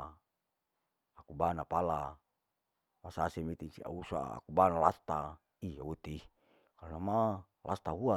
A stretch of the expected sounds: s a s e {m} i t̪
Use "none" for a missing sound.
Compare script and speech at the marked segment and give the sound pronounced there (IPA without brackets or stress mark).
m